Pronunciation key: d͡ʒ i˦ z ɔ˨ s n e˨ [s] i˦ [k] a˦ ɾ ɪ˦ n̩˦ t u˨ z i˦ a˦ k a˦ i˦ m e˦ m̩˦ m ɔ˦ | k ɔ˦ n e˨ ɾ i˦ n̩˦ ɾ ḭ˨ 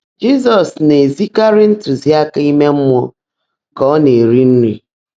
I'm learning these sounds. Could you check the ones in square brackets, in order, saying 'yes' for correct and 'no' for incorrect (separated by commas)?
no, yes